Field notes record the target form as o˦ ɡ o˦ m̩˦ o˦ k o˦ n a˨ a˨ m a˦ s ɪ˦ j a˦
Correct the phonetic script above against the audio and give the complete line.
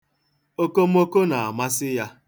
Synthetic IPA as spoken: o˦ k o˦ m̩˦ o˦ k o˦ n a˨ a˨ m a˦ s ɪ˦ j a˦